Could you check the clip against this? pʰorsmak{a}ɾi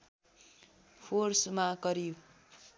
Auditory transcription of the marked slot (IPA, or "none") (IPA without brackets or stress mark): ʌ